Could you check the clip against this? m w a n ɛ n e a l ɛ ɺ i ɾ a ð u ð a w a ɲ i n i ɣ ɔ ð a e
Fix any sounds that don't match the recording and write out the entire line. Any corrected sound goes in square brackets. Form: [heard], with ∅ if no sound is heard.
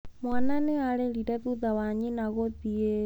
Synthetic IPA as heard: m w a n [a] n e a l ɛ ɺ i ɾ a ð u ð a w a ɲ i n [a] ɣ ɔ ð [i] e

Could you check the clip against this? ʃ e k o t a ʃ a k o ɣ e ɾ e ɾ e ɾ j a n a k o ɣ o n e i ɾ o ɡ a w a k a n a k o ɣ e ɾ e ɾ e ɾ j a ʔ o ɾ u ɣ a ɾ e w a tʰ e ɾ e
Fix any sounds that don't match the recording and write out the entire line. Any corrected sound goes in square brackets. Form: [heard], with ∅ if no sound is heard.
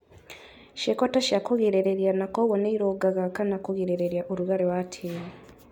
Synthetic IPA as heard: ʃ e k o t a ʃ a k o ɣ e ɾ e ɾ e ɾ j a n a k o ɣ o n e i ɾ o ɡ a [ɣ] a k a n a k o ɣ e ɾ e ɾ e ɾ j a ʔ o ɾ u ɣ a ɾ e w a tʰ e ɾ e

